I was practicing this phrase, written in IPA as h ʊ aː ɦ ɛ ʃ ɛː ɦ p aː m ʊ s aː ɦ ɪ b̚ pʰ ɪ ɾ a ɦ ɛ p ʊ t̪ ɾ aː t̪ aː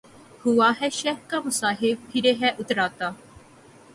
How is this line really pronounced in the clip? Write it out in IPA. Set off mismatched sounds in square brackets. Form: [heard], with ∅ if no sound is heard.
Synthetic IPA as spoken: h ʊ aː ɦ ɛ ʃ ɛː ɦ [k] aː m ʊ s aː ɦ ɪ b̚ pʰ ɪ ɾ [e] ɦ ɛ [ʔ] ʊ t̪ ɾ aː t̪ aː